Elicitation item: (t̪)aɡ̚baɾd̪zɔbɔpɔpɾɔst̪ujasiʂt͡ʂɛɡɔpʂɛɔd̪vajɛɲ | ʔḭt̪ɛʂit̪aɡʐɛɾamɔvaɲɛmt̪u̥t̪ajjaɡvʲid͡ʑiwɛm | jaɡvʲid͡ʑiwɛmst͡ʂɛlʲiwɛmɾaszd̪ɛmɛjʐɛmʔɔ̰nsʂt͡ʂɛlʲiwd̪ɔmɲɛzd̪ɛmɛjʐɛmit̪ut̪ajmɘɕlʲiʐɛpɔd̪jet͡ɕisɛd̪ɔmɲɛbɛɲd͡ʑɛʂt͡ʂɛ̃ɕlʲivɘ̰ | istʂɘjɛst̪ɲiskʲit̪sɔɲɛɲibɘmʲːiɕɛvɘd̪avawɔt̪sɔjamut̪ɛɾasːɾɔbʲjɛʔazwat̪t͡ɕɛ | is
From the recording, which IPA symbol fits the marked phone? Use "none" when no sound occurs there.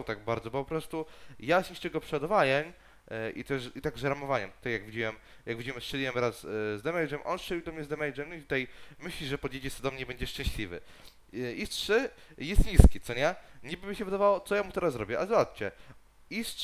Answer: t̪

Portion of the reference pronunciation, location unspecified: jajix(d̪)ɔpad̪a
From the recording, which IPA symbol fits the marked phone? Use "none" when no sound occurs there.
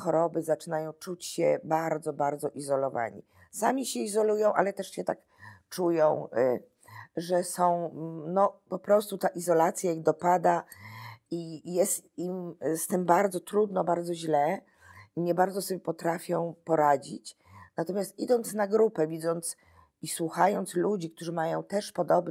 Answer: d̪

